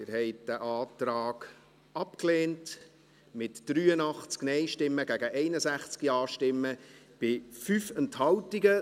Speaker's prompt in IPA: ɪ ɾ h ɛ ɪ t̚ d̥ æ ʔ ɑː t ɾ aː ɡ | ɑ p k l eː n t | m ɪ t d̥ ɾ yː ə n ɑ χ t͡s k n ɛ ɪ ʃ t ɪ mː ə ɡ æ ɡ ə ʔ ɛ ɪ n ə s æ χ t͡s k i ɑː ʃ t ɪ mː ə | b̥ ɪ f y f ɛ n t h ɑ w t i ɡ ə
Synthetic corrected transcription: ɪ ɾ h ɛ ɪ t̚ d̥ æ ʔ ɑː t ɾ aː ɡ | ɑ p k l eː n t | m ɪ t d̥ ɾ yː ə n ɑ χ t͡s k n ɛ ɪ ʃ t ɪ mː ə ɡ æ ɡ ə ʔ ɛ ɪ n ə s æ χ t͡s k i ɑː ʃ t ɪ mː ə | b̥ ɪ f y f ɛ n t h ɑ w t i ɡ ə